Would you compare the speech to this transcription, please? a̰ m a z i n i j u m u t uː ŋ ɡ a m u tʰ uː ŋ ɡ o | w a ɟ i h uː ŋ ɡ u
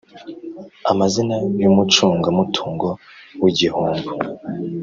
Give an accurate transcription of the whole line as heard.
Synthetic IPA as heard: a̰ m a z i n a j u m u t͡ʃ uː ŋ ɡ a m u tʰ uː ŋ ɡ o | w i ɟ i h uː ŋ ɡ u